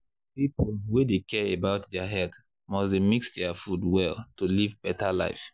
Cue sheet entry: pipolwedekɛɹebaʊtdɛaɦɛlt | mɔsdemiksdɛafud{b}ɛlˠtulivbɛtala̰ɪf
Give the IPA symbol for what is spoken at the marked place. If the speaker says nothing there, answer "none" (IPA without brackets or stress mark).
w